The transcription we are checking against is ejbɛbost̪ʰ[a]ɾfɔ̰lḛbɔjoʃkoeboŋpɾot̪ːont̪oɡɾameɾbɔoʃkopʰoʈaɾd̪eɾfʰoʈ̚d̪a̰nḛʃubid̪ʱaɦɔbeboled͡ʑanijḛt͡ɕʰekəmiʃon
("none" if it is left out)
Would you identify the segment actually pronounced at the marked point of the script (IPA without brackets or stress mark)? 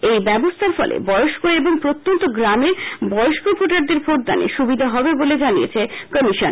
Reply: a